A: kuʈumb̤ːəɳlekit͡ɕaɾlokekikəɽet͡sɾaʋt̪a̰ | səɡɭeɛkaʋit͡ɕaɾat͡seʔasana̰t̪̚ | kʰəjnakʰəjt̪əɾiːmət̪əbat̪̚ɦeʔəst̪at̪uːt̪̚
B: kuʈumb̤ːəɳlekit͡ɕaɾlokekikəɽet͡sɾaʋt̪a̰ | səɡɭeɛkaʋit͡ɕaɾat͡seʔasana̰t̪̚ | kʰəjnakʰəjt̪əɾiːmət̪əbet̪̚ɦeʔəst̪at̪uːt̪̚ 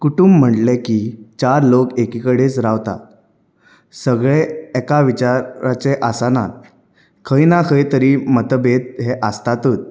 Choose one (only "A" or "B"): B